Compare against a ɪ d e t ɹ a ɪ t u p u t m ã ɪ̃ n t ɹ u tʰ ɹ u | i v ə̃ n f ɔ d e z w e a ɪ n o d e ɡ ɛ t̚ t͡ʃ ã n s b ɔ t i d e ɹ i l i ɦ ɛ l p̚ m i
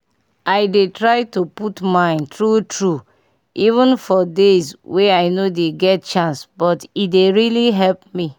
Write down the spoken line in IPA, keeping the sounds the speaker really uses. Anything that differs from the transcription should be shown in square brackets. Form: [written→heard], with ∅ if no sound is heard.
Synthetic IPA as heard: a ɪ d e t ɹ a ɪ t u p u t m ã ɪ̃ n t ɹ u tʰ ɹ u | i v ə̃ n f ɔ d e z w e a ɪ n o d e ɡ ɛ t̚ t͡ʃ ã n s b ɔ t i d e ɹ i l i ɦ ɛ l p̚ m i

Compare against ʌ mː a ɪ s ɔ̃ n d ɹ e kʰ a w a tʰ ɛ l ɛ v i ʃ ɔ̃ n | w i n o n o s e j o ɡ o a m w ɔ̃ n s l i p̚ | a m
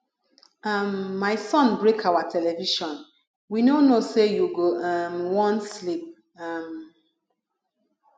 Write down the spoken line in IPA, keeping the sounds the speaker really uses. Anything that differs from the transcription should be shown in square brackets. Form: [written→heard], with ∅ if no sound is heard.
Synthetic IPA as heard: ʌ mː a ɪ s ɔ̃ n [d→b] ɹ e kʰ a w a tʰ ɛ l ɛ v i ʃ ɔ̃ n | w i n o n o s e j [o→u] ɡ o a m w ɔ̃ n s l i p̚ | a m

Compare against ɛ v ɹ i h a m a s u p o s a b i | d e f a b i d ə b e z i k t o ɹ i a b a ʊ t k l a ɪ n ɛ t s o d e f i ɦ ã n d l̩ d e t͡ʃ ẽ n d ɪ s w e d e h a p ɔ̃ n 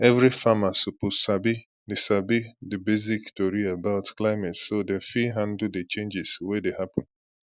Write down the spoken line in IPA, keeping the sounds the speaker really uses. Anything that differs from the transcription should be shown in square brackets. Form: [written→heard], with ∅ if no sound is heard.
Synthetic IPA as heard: ɛ v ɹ i [h→f] a m a s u p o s a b i | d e [f→s] a b i d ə b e z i k t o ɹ i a b a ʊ t k l a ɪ [n→m] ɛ t s o d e f i ɦ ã n d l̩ d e t͡ʃ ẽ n [d→d͡ʒ] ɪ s w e d e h a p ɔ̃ n

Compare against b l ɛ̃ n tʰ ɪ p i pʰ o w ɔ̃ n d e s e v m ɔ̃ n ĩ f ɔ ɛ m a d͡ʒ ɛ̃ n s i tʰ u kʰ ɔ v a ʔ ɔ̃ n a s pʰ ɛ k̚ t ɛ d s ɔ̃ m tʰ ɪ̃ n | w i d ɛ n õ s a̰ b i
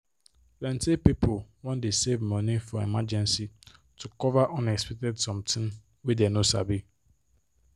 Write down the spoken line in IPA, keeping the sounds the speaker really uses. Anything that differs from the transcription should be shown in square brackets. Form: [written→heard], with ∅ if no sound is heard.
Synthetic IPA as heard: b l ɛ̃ n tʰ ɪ p i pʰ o w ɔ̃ n d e s e v m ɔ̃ n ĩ f ɔ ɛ m a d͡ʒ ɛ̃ n s i tʰ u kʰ ɔ v a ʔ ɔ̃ n [a→ɛ] s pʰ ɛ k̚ t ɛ d s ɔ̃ m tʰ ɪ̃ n | w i d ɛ n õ s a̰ b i

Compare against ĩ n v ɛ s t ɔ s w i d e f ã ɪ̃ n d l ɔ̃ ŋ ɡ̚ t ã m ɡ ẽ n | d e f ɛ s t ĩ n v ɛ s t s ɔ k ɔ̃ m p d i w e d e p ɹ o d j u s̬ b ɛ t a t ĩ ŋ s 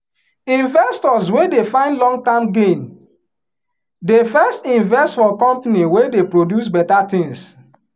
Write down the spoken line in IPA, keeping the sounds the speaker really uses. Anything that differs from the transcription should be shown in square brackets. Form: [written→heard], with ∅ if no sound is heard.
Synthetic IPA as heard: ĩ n v ɛ s t ɔ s w [i→e] d e f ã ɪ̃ n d l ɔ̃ ŋ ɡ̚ t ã m ɡ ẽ n | d e f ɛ s t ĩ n v ɛ s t [s→f] ɔ k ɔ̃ m p [d→n] i w e d e p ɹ o d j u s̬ b ɛ t a t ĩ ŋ s

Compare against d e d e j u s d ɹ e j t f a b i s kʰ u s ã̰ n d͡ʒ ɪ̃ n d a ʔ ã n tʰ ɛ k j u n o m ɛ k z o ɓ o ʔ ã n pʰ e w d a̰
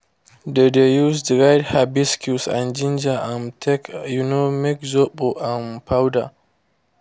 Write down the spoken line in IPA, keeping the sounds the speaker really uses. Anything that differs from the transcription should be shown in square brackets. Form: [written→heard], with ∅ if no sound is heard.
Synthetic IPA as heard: d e d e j u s d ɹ [e→a] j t [f→h] a b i s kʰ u s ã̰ n d͡ʒ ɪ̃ n [d→d͡ʒ] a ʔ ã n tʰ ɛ k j u n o m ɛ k z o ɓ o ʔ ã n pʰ [e→a] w d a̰

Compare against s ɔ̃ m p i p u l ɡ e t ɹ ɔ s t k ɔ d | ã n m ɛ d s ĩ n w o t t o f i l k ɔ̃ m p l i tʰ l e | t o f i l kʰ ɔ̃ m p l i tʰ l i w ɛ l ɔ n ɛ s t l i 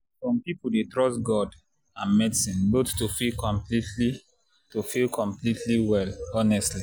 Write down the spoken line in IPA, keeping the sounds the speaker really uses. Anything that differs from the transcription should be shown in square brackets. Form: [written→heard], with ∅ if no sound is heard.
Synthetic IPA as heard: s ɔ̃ m p i p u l [ɡ→d] e t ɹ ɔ s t [k→ɡ] ɔ d | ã n m ɛ d s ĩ n [w→b] o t t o f i l k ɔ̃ m p l i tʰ l [e→i] | t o f i l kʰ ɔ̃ m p l i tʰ l i w ɛ l ɔ n ɛ s t l i

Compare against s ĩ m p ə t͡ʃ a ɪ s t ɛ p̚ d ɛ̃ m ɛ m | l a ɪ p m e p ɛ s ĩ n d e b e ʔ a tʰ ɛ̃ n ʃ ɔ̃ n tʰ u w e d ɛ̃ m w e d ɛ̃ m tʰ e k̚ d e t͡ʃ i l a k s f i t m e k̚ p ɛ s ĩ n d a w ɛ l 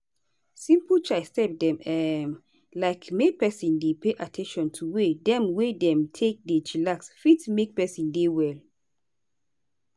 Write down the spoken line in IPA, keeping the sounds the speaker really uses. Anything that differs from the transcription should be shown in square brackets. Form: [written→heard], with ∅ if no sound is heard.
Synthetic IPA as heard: s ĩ m p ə t͡ʃ a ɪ s t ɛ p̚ d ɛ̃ m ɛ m | l a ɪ [p→k] m e p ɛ s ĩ n d e [b→p] e ʔ a tʰ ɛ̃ n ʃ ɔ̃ n tʰ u w e d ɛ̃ m w e d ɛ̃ m tʰ e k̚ d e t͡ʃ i l a k s f i t m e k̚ p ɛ s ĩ n d [a→e] w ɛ l

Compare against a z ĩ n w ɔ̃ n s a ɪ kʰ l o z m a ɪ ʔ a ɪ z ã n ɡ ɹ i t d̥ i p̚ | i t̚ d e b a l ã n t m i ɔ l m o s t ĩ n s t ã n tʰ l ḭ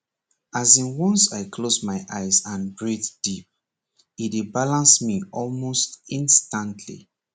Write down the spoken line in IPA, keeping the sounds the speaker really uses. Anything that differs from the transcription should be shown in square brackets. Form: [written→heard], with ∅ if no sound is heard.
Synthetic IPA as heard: a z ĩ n w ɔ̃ n s a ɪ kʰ l o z m a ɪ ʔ a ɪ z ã n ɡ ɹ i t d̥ i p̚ | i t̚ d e b a l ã n [t→s] m i ɔ l m o s t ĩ n s t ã n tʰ l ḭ

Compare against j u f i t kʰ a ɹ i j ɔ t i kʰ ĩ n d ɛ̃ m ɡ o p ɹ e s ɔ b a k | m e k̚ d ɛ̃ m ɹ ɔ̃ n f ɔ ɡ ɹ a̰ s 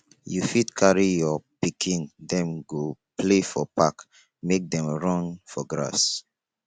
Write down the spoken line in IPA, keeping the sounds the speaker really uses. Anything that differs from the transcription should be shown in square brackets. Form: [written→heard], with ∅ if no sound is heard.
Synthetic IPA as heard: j u f i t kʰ a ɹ i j ɔ [t→p] i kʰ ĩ n d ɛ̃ m ɡ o p [ɹ→l] e [s→f] ɔ [b→p] a k | m e k̚ d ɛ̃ m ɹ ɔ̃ n f ɔ ɡ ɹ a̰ s

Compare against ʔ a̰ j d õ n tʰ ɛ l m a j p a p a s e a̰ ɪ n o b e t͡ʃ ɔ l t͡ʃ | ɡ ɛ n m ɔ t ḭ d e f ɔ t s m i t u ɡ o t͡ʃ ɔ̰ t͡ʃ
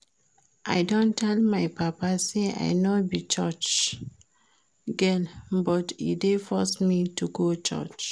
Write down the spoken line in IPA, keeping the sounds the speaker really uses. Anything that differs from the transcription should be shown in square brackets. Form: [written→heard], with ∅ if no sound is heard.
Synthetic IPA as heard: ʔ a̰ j d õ n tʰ ɛ l m a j p a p a s e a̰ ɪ n o b [e→i] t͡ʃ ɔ [l→∅] t͡ʃ | ɡ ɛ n [m→b] ɔ t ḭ d e f ɔ [t→∅] s m i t u ɡ o t͡ʃ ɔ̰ t͡ʃ

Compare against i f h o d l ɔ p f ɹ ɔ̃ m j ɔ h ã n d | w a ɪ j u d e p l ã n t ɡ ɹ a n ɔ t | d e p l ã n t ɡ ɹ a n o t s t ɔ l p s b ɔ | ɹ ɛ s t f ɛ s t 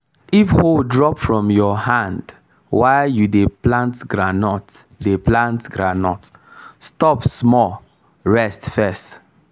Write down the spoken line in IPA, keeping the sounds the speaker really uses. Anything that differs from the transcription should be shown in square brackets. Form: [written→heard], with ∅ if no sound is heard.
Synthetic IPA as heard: i f h o d [l→ɹ] ɔ p f ɹ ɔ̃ m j ɔ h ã n d | w a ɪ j u d e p l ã n t ɡ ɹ a n ɔ t | d e p l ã n t ɡ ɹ a n [o→ɔ] t s t ɔ [l→∅] p s [b→m] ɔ | ɹ ɛ s t f ɛ s t

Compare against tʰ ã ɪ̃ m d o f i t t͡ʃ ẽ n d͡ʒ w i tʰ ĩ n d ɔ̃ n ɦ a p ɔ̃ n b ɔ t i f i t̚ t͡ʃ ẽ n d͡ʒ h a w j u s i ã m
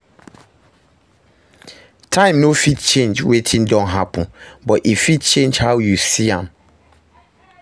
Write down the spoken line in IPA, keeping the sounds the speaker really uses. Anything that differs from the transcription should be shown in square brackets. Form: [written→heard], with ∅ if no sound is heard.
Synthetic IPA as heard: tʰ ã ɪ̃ m [d→n] o f i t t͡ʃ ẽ n d͡ʒ w [i→e] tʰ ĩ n d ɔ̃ n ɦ a p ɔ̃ n b ɔ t i f i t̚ t͡ʃ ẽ n d͡ʒ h a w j u s i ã m

